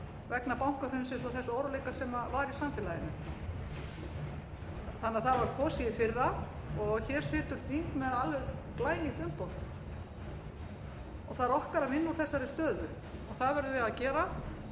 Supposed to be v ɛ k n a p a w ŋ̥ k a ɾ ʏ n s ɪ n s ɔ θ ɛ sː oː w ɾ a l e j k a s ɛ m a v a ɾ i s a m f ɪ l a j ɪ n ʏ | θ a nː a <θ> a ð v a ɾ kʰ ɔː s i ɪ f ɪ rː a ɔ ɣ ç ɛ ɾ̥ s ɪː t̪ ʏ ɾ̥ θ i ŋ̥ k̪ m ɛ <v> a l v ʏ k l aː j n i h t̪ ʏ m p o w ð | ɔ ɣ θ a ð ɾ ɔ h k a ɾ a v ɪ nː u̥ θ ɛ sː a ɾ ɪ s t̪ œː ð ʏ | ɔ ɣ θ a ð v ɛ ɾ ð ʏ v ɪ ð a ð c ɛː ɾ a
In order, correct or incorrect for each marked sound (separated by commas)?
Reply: correct, incorrect